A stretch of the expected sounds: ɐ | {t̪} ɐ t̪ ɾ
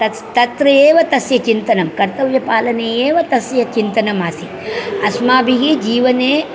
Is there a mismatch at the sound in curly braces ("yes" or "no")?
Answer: no